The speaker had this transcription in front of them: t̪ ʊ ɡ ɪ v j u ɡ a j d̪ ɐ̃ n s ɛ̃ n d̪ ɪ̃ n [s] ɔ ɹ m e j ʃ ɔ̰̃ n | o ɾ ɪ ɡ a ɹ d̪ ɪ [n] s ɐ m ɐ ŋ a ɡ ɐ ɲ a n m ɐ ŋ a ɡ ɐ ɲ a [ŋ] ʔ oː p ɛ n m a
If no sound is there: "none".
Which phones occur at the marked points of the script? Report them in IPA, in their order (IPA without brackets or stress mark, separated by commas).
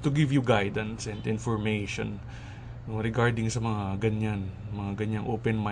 f, ŋ, ŋ